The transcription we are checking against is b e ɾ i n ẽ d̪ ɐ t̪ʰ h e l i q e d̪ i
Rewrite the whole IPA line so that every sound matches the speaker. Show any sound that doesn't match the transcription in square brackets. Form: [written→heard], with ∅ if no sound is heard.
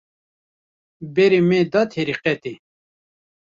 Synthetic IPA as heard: b e ɾ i [n→m] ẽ d̪ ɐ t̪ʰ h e [l→ɾ] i q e [d̪→t̪] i

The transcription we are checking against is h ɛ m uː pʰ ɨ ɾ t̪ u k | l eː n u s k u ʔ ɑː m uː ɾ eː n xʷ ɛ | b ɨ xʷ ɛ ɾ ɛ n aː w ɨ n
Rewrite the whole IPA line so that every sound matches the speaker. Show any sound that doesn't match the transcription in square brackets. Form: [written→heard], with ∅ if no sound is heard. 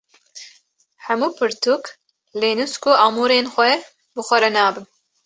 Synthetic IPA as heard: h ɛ m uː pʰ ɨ ɾ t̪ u k | l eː n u s k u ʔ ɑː m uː ɾ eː n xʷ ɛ | b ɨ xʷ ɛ ɾ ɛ n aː [w→b] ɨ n

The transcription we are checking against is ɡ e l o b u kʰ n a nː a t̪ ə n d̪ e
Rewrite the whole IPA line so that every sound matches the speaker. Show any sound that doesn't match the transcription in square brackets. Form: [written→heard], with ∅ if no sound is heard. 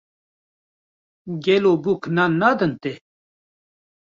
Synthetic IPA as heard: ɡ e l o b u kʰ n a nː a [t̪→d̪] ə n [d̪→t̪] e

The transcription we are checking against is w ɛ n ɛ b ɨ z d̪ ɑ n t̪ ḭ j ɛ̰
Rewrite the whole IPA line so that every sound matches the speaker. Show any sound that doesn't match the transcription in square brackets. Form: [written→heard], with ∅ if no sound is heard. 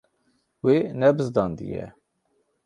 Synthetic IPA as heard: w [ɛ→e] n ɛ b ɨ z d̪ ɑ n [t̪→d̪] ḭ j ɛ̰

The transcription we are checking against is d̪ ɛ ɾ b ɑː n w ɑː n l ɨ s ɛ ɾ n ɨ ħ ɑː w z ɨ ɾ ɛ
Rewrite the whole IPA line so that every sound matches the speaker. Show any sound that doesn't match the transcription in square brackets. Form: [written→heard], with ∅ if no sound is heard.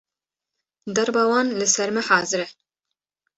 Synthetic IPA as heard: d̪ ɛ ɾ b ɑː [n→∅] w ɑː n l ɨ s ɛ ɾ [n→m] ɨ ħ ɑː [w→∅] z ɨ ɾ ɛ

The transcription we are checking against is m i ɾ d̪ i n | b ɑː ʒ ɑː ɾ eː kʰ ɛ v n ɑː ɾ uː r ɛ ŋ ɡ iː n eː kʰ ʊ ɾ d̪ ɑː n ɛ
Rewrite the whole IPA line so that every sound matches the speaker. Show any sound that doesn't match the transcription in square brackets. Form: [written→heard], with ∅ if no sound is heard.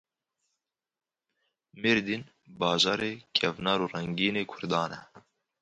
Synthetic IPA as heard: m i ɾ d̪ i n | b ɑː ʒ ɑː ɾ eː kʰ ɛ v n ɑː ɾ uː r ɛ ŋ ɡ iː n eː kʰ ʊ ɾ d̪ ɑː n ɛ

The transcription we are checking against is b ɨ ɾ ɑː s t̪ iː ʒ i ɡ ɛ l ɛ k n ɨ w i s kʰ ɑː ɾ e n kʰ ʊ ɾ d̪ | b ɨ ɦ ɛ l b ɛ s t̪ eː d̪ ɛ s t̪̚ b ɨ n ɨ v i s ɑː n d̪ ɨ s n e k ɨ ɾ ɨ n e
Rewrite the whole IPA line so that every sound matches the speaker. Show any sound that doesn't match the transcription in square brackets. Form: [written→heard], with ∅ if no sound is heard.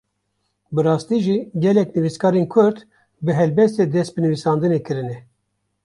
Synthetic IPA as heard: b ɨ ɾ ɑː s t̪ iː ʒ i ɡ ɛ l ɛ k n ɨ [w→v] i s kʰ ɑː ɾ e n kʰ ʊ ɾ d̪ | b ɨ ɦ ɛ l b ɛ s t̪ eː d̪ ɛ s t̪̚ b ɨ n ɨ v i s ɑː n d̪ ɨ [s→∅] n e k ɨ ɾ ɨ n [e→ɛ]

